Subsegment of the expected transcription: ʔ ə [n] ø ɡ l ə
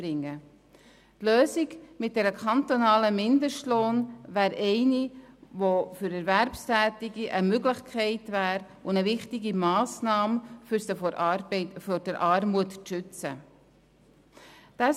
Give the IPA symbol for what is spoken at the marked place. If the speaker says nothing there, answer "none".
m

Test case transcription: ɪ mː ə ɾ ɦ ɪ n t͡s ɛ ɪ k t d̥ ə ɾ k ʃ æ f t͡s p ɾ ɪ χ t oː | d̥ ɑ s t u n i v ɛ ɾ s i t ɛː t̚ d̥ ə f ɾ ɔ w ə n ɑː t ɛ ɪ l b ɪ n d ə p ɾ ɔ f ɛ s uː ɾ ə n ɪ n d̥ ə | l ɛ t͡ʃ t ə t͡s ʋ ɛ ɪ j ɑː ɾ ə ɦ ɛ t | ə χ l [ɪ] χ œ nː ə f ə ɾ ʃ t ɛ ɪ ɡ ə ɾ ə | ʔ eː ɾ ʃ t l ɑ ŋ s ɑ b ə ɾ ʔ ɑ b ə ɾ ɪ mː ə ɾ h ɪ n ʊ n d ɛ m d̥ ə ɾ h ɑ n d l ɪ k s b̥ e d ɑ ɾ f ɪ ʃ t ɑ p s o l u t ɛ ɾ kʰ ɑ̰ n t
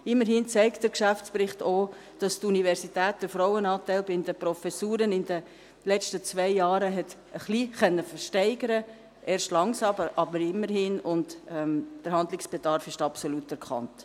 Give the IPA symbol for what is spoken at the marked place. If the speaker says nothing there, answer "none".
i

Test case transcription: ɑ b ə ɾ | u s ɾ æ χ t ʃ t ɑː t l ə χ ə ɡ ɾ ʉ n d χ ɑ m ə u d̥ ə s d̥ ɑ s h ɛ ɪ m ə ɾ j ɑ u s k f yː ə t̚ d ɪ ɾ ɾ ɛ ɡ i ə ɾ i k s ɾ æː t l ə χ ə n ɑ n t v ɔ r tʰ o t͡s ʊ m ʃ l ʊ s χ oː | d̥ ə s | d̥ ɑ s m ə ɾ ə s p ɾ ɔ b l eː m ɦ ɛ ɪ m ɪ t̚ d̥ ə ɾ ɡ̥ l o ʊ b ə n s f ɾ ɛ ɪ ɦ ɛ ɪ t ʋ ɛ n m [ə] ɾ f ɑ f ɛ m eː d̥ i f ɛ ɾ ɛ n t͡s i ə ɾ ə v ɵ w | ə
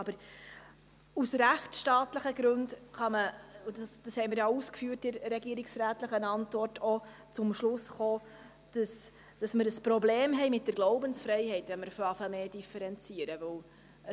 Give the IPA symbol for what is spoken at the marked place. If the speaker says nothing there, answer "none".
ə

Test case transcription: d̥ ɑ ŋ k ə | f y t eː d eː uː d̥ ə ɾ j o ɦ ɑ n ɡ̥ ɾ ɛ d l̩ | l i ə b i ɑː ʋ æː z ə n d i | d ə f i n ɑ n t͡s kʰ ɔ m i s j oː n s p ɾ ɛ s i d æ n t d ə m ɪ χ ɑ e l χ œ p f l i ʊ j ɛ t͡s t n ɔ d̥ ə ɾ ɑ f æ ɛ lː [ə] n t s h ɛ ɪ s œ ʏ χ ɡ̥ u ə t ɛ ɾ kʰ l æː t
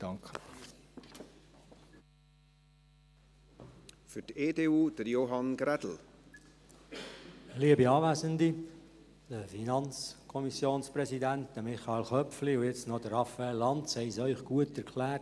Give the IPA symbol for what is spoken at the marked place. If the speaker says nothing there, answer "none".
ɑ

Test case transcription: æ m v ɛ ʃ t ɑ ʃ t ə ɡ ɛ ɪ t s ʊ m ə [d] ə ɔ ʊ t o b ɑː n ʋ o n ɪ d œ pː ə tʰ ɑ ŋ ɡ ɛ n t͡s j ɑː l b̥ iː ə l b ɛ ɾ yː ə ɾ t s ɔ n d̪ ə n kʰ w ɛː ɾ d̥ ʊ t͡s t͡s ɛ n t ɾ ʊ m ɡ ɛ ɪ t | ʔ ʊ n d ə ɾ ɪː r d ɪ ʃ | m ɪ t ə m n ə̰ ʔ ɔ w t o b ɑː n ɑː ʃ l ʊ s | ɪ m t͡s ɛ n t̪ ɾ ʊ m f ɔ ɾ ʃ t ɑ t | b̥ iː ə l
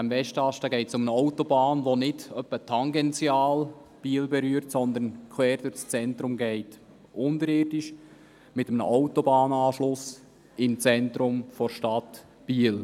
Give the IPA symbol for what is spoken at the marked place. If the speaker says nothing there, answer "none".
n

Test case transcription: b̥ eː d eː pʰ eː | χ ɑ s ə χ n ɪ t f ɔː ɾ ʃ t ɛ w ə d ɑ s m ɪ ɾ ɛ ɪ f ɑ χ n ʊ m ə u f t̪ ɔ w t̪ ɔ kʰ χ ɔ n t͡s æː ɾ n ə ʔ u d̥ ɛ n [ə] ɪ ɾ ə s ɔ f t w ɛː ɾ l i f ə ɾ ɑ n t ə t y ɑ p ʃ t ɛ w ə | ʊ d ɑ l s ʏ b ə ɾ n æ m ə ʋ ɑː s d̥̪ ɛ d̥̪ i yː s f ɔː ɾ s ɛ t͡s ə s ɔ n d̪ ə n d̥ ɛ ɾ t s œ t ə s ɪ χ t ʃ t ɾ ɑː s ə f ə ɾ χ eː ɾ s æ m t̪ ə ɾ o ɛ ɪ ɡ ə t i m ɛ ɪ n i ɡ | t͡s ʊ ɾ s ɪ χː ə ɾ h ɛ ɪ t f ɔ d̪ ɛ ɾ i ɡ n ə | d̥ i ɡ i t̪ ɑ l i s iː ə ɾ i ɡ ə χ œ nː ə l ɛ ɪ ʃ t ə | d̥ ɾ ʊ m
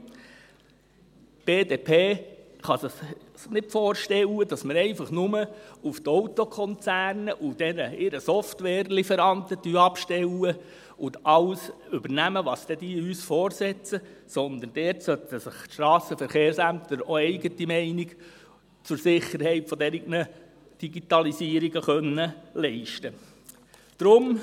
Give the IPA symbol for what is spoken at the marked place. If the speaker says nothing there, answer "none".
ə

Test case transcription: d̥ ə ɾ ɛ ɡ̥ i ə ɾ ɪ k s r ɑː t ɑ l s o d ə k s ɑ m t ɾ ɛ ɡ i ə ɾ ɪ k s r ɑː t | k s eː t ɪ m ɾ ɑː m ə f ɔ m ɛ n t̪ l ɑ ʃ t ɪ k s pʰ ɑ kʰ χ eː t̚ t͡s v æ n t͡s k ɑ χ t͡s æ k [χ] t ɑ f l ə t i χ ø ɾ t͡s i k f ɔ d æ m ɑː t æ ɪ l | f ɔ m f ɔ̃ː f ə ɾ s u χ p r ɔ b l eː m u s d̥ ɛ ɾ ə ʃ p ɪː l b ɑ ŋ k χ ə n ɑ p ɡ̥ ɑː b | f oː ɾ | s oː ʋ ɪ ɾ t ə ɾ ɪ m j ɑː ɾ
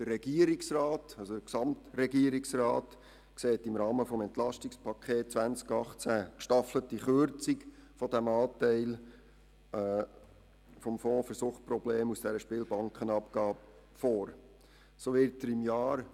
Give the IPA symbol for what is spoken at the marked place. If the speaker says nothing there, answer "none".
ʃ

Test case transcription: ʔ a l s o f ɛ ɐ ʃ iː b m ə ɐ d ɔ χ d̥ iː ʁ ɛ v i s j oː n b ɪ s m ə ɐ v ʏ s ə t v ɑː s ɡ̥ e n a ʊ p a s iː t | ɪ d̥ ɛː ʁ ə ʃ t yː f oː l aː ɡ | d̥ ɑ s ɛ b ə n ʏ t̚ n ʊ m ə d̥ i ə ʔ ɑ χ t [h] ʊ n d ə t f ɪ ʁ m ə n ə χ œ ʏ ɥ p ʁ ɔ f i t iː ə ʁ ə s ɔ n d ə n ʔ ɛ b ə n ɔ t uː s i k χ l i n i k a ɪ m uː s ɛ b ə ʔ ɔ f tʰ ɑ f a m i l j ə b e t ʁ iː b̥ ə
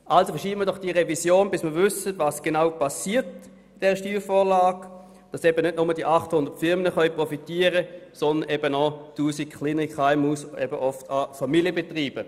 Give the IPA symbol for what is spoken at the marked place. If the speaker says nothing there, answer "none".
h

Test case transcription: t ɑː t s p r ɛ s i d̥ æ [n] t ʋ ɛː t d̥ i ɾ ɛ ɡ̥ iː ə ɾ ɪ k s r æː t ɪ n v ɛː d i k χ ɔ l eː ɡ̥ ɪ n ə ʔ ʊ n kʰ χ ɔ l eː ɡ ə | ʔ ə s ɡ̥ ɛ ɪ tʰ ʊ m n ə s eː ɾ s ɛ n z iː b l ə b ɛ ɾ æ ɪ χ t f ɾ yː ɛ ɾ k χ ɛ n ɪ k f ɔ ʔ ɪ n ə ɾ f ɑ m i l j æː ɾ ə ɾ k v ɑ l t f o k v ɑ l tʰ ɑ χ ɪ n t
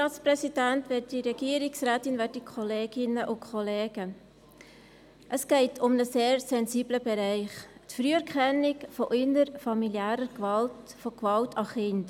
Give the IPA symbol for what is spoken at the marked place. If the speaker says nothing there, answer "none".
n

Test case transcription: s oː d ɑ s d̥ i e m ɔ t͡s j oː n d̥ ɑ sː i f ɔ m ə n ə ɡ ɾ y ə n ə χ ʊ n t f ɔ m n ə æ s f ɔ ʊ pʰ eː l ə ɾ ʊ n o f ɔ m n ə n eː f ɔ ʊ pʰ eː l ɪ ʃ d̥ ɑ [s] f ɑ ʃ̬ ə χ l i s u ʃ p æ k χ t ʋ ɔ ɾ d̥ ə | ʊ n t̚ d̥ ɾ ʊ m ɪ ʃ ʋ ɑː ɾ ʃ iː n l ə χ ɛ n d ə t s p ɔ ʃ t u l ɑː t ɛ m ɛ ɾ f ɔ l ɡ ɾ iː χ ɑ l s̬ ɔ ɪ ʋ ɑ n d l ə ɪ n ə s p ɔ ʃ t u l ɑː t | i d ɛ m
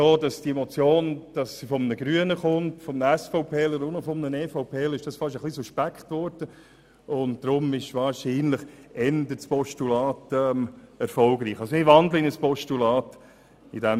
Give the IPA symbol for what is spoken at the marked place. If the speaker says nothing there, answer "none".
s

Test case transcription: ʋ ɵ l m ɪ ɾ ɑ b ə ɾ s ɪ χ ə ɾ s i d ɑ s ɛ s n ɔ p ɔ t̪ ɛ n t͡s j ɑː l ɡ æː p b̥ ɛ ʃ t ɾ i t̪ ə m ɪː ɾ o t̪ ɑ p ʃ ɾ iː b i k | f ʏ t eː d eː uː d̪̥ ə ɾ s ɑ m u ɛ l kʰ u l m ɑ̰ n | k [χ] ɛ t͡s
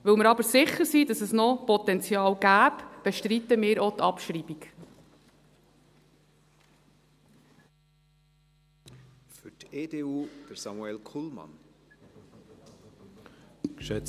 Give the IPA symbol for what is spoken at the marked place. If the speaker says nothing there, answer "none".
ʃ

